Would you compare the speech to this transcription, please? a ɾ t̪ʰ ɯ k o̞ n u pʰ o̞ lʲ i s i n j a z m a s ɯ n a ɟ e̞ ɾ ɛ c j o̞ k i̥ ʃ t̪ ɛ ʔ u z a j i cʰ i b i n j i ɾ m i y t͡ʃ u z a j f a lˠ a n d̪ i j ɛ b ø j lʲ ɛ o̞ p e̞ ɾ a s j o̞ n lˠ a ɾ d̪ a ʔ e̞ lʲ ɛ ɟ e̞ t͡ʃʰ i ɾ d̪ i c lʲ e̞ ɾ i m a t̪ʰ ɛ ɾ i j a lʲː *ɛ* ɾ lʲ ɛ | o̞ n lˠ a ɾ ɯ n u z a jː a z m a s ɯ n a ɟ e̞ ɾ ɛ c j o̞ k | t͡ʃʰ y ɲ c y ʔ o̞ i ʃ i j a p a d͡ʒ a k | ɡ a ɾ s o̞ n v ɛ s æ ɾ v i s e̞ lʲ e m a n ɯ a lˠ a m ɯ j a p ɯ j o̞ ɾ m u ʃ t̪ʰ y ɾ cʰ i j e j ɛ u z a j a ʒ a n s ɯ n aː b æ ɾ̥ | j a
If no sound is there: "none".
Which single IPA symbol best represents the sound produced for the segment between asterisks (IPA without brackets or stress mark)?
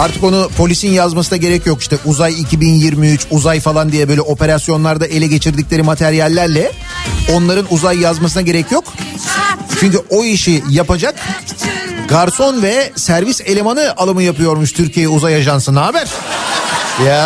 æ